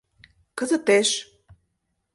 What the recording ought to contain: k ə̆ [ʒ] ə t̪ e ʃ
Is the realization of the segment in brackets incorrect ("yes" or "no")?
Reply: yes